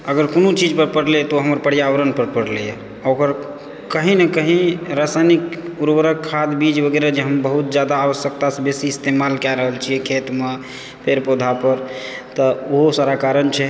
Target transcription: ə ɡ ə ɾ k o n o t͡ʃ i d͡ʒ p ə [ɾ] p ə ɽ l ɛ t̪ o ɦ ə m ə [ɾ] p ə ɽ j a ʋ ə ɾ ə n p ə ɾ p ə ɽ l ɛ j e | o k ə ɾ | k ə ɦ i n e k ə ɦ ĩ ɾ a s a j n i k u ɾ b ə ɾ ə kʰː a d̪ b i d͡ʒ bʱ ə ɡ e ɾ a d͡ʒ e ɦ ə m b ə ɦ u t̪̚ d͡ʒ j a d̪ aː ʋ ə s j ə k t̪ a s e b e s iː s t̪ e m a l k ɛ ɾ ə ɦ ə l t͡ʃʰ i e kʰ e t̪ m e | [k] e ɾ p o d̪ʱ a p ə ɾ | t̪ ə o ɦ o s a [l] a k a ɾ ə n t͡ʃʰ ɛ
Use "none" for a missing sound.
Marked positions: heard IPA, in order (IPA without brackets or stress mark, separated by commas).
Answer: ɾ, ɾ, p, ɾ